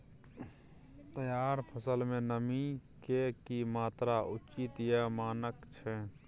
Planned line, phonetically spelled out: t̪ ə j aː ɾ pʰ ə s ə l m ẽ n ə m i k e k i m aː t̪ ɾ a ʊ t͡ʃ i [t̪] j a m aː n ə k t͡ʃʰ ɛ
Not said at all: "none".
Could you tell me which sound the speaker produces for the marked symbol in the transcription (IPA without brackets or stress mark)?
t̪